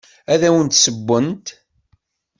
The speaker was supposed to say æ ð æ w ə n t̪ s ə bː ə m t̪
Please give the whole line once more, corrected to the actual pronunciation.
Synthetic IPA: æ ð æ w ə n t̪ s ə bː ə n t̪